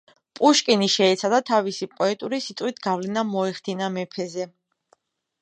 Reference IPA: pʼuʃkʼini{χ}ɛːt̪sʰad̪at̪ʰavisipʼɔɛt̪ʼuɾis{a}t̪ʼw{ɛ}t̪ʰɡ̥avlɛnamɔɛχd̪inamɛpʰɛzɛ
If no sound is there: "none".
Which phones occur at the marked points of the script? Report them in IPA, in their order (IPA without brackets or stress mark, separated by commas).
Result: ʃ, i, i